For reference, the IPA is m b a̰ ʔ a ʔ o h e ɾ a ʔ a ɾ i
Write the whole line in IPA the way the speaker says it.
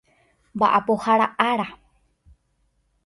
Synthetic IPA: m b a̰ ʔ a p o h a ɾ a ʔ a ɾ a